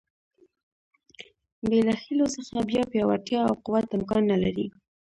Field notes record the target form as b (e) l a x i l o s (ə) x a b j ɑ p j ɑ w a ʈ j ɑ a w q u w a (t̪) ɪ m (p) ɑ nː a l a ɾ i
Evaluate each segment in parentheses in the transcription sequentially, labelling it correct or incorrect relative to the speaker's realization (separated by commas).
correct, correct, correct, incorrect